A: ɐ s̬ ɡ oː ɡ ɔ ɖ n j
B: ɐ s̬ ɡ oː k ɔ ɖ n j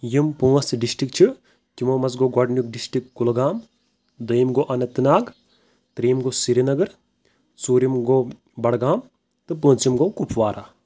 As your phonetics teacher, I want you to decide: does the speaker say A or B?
A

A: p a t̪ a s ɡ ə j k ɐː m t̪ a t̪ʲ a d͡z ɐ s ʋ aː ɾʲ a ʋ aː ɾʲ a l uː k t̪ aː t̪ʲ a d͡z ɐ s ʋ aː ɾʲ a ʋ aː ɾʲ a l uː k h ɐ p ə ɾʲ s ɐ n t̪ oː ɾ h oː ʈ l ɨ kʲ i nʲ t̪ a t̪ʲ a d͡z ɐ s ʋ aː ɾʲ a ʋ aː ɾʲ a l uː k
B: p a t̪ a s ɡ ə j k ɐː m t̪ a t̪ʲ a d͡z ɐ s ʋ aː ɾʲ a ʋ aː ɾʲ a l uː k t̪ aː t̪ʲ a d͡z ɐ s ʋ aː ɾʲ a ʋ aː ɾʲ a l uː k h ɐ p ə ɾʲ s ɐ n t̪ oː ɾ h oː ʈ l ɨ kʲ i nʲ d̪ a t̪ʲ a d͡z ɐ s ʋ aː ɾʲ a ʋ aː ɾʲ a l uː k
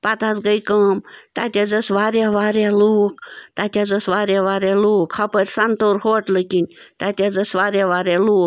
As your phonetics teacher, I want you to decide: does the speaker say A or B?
A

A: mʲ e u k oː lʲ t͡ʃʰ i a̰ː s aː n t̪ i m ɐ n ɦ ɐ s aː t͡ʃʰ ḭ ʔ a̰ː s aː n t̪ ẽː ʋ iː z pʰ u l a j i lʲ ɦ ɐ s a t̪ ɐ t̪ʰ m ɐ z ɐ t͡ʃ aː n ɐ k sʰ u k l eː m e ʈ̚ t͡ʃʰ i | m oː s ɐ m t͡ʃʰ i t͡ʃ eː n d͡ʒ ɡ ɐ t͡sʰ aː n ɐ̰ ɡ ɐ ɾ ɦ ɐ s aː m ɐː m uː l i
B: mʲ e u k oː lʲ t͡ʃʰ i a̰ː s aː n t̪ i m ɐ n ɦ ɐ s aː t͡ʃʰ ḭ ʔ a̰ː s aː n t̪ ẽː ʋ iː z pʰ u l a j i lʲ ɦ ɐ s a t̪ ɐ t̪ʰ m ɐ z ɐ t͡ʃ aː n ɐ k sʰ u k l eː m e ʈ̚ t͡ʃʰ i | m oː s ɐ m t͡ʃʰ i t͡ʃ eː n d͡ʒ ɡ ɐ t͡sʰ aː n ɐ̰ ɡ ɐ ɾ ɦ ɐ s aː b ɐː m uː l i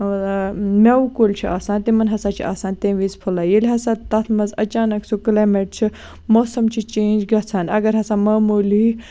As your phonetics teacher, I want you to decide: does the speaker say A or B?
A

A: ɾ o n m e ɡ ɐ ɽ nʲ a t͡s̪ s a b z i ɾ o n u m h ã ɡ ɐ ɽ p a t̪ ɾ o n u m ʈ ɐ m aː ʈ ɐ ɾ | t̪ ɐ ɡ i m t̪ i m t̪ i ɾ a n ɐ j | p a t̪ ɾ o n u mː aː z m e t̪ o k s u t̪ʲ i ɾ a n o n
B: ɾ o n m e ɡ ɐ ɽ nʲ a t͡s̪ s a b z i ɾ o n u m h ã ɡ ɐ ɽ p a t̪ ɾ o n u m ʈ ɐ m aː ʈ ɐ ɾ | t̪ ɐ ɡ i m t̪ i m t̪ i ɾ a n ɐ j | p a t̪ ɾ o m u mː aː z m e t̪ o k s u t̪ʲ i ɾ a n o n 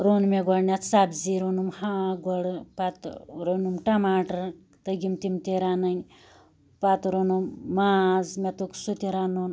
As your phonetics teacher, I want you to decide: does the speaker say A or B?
A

